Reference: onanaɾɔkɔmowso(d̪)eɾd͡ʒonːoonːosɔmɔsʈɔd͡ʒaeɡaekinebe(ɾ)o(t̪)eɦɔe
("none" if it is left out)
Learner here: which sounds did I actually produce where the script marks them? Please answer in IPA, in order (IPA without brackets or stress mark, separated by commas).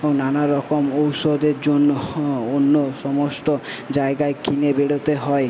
d̪, ɽ, t̪